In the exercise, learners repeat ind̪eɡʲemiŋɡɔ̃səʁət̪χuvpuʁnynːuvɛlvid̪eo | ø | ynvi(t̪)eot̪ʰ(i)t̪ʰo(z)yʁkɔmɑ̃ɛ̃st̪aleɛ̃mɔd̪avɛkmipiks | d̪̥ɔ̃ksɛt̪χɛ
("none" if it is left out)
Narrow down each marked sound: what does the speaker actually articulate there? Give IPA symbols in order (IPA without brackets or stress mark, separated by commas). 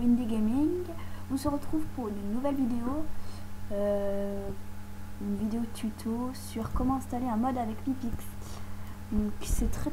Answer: d̪, y, s